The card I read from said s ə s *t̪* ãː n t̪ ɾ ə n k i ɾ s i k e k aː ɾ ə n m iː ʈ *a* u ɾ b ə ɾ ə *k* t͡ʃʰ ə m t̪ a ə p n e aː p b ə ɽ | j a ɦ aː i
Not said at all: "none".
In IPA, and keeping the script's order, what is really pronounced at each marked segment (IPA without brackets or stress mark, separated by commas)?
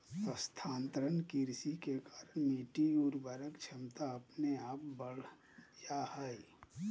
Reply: t̪ʰ, i, k